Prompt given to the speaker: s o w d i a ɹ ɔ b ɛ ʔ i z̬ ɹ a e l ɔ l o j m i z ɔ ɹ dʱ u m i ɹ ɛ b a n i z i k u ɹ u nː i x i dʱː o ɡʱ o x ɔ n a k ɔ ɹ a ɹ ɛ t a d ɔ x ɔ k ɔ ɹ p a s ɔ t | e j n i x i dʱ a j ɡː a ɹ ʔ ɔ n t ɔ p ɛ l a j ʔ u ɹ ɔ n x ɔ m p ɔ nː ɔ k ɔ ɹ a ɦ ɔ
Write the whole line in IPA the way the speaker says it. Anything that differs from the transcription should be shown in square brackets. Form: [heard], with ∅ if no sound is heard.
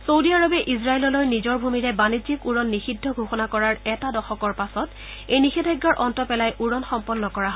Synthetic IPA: s o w d i a ɹ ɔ b ɛ ʔ i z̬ ɹ a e l ɔ l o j [n] i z ɔ ɹ [bʱ] u m i ɹ ɛ b a n i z i k u ɹ [ɔ] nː i x i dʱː [ɔ] ɡʱ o x ɔ n a k ɔ ɹ a ɹ ɛ t a d ɔ x ɔ k ɔ ɹ p a s ɔ t | e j n i x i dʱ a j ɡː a ɹ ʔ ɔ n t ɔ p ɛ l a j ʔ u ɹ ɔ n x ɔ m p ɔ nː ɔ k ɔ ɹ a ɦ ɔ